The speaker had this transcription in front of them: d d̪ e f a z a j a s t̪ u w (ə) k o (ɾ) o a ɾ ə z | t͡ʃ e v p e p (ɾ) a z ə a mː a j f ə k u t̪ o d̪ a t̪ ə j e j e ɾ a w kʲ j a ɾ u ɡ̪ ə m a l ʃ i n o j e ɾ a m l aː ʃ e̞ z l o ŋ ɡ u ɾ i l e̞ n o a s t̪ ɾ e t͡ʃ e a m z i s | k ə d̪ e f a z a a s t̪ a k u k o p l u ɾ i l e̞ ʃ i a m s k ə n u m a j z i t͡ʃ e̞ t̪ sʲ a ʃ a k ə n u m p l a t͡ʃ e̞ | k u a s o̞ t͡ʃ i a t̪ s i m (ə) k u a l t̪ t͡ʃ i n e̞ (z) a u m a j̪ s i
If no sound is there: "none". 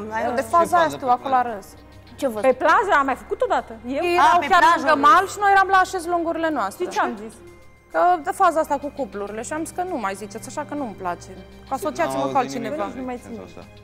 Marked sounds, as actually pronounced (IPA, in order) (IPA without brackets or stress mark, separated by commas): a, l, l, ə, v